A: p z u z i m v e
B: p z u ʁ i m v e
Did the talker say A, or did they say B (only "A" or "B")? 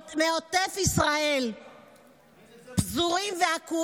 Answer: B